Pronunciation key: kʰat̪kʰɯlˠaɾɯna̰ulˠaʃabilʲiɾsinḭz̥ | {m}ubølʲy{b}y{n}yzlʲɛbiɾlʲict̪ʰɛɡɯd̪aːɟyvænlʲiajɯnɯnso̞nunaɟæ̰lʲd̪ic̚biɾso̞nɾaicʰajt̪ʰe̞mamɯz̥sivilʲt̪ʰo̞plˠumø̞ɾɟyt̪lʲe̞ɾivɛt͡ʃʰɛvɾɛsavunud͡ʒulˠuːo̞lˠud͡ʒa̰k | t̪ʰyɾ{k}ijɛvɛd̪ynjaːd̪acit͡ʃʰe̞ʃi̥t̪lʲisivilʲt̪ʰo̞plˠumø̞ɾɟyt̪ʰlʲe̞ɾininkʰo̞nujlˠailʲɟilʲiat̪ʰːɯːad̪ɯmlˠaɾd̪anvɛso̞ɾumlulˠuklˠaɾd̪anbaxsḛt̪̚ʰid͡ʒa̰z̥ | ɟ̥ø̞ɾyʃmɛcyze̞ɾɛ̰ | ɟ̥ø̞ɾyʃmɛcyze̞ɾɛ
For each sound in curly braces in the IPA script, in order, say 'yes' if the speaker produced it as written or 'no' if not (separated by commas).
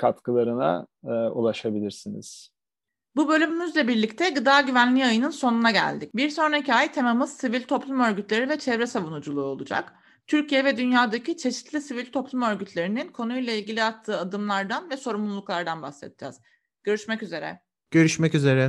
no, no, no, no